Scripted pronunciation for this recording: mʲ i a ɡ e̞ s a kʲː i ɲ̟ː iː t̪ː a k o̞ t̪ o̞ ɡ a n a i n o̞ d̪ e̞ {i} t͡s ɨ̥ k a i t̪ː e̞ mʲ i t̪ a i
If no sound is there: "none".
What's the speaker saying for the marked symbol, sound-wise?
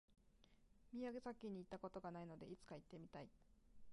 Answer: i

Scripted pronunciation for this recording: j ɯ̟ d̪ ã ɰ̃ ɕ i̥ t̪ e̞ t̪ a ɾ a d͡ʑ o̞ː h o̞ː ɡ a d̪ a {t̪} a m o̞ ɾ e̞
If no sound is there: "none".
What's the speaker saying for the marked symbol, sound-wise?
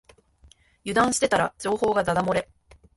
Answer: d̪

